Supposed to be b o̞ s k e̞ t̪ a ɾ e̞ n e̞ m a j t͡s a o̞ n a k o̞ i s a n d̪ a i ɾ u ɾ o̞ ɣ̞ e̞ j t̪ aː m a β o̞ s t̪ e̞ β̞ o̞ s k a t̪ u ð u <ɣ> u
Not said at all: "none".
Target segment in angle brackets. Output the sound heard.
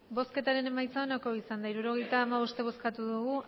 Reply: ɣ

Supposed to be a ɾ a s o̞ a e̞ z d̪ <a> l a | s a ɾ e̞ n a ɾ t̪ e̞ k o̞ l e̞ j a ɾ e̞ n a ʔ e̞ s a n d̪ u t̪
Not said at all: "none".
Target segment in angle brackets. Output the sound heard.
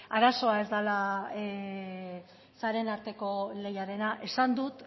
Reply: a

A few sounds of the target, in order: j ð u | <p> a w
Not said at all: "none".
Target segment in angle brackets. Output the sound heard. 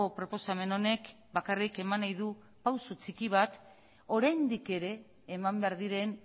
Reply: p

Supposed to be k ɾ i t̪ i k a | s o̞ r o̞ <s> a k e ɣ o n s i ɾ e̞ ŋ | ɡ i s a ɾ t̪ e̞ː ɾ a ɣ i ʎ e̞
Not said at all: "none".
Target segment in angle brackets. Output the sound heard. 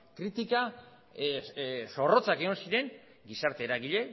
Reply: t͡s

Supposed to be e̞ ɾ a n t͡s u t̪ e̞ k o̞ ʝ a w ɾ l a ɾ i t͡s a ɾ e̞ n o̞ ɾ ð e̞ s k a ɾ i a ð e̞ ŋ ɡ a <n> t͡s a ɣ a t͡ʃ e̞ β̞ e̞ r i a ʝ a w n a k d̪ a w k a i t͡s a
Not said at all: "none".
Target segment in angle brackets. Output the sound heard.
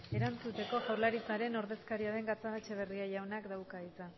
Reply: none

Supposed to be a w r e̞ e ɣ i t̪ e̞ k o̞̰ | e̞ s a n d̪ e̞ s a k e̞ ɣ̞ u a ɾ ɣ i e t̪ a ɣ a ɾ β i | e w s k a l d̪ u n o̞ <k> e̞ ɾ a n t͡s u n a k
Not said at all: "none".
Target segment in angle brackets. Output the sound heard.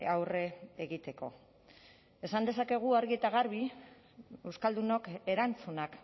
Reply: k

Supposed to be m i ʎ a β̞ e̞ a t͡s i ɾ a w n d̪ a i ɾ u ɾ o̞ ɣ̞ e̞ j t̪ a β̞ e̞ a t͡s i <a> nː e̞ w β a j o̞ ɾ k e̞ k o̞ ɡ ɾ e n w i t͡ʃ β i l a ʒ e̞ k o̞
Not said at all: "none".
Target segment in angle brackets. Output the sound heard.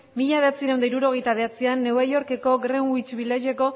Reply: a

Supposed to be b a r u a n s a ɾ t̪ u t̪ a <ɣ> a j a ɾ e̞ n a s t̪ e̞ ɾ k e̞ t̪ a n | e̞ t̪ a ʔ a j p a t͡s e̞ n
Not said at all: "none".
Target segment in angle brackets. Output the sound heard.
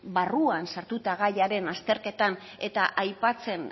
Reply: ɣ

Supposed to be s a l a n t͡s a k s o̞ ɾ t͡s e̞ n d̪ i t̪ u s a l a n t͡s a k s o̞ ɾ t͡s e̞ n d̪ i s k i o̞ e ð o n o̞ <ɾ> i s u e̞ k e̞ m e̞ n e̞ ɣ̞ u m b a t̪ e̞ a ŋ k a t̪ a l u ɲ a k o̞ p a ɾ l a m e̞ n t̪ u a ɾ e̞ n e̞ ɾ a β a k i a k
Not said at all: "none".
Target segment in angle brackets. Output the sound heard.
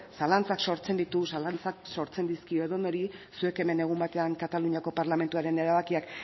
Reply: ɾ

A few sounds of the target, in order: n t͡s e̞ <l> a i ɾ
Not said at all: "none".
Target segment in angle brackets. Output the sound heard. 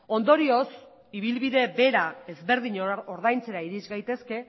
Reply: ɾ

